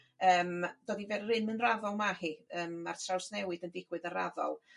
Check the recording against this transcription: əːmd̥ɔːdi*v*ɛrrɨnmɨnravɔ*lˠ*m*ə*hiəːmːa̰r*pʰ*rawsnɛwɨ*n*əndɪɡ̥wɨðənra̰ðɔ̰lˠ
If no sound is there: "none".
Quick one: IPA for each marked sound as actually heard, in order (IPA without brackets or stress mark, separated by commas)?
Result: v, lˠ, a, tʰ, d